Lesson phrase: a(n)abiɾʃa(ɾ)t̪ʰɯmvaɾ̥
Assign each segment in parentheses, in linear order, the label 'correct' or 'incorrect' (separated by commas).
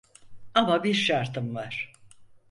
incorrect, correct